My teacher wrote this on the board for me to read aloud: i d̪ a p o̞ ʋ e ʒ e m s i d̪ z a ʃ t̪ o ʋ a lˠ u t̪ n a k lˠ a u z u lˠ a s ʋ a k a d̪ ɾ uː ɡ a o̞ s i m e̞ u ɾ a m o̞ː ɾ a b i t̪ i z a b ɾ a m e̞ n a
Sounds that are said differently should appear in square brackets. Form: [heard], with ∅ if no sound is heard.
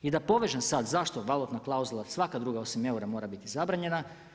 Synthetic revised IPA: i d̪ a p o̞ ʋ e ʒ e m s [a] d̪ z a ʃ t̪ o ʋ a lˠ u t̪ n a k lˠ a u z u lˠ a s ʋ a k a d̪ ɾ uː ɡ a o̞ s i m e̞ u ɾ a m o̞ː ɾ a b i t̪ i z a b ɾ a [ɲ] e̞ n a